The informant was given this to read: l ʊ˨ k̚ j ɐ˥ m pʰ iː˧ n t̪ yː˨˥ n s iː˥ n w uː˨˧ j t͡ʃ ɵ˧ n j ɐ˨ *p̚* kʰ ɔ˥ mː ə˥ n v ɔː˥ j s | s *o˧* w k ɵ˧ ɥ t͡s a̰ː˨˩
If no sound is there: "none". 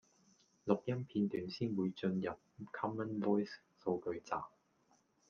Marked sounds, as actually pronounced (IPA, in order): p̚, o˧

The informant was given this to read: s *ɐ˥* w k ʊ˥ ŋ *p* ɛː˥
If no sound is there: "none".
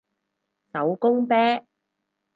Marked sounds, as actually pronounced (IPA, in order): ɐ˨˥, p

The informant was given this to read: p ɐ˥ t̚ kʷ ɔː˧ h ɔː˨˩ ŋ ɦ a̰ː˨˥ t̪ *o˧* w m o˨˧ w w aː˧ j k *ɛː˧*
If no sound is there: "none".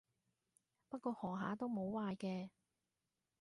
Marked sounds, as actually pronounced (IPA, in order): o˥, ɛː˧

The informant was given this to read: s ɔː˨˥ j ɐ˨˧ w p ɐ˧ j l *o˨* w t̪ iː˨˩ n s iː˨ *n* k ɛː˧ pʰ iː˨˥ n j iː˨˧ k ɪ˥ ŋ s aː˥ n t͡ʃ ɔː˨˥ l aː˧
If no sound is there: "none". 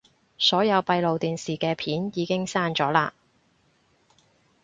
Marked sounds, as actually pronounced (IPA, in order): o˨, none

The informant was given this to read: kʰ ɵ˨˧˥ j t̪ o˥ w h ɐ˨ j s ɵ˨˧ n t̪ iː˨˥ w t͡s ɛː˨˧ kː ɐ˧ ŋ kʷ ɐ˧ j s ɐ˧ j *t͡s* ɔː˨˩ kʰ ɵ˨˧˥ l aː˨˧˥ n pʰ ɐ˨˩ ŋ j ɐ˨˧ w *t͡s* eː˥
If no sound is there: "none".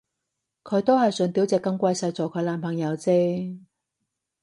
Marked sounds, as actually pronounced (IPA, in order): t͡s, t͡s

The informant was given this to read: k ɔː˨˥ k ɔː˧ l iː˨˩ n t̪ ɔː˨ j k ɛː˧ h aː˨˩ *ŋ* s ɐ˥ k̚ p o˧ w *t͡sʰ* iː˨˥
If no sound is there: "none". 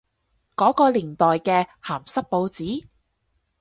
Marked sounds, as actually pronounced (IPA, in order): m, t͡s

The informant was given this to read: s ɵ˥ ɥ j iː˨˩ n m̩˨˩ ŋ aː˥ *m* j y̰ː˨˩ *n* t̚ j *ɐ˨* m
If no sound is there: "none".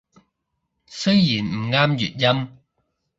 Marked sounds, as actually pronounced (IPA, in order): m, none, ɐ˥

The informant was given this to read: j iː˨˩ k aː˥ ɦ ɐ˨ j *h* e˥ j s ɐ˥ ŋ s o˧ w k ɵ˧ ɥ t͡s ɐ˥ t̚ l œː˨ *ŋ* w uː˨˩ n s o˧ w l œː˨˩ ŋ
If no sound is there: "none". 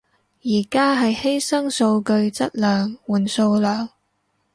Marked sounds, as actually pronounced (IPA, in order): h, ŋ

